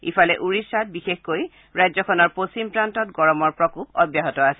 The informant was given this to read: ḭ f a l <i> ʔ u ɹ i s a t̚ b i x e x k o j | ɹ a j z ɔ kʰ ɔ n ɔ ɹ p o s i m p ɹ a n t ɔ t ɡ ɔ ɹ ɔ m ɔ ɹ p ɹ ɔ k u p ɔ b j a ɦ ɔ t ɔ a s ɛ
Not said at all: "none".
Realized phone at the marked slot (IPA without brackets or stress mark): ɛ